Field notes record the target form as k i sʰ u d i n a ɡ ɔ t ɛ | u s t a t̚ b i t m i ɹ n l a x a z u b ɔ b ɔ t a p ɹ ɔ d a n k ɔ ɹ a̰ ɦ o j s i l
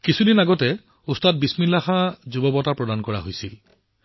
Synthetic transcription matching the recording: k i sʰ u d i n a ɡ ɔ t ɛ | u s t a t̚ b i s m i n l a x a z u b ɔ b ɔ t a p ɹ ɔ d a n k ɔ ɹ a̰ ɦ o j s i l

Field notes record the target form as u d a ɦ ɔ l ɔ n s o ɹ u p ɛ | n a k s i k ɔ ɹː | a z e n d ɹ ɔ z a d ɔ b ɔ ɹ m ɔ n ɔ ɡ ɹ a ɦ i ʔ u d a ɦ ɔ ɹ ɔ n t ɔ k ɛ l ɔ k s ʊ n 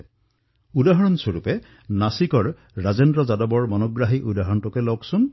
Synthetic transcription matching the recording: u d a ɦ ɔ ɹ ɔ n s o ɹ u p ɛ | n a s i k ɔ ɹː | a z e n d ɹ ɔ z a d ɔ b ɔ ɹ m ɔ n ɔ ɡ ɹ a ɦ i ʔ u d a ɦ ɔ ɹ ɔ n t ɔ k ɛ l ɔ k s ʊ n

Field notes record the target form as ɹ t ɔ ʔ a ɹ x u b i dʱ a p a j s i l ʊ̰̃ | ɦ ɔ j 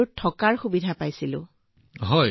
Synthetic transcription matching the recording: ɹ tʰ ɔ k a ɹ x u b i dʱ a p a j s i l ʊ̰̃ | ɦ ɔ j

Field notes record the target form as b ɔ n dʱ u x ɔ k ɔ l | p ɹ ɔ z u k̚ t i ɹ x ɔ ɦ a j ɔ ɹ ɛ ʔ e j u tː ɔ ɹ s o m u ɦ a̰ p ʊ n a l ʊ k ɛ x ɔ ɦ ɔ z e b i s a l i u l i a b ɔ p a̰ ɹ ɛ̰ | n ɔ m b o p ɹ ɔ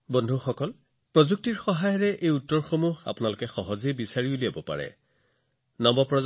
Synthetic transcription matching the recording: b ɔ n dʱ u x ɔ k ɔ l | p ɹ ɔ z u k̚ t i ɹ x ɔ ɦ a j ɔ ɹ ɛ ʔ e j u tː ɔ ɹ x o m u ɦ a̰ p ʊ n a l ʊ k ɛ x ɔ ɦ ɔ z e b i s a ɹ i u l i a b ɔ p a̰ ɹ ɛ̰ | n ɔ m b ɔ p ɹ ɔ

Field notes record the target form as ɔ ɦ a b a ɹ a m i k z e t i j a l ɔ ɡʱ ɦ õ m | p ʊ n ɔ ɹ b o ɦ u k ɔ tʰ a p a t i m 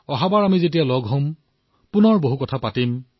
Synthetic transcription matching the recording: ɔ ɦ a b a ɹ a m i z e t i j a l ɔ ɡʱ ɦ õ m | p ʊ n ɔ ɹ b o ɦ u k ɔ tʰ a p a t i m

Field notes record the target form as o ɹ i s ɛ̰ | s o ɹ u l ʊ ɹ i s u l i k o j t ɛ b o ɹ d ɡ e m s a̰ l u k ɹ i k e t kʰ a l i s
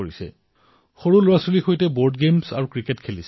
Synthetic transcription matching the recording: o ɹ i s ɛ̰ | x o ɹ u l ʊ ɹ a s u l i x o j t ɛ b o ɹ d ɡ e m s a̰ ɹ u k ɹ i k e t kʰ e l i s

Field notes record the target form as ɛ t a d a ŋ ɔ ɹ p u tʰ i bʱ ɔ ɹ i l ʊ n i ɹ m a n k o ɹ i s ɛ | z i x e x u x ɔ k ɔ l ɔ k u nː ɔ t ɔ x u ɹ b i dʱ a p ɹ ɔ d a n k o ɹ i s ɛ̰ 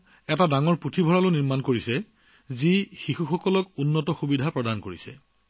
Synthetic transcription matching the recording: ɛ t a d a ŋ ɔ ɹ p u tʰ i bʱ ɔ ɹ a l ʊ n i ɹ m a n k o ɹ i s ɛ | z i x i x u x ɔ k ɔ l ɔ k u nː ɔ t ɔ x u b i dʱ a p ɹ ɔ d a n k o ɹ i s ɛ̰

